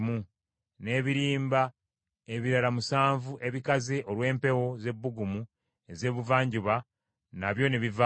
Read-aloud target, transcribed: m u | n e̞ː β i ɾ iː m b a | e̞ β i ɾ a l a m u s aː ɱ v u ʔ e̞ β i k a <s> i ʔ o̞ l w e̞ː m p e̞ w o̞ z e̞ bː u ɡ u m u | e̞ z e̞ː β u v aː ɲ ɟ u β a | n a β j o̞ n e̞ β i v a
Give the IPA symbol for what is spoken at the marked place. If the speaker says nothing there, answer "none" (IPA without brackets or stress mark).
z